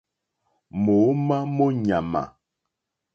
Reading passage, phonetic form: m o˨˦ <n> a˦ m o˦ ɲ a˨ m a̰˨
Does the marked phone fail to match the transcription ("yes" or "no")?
yes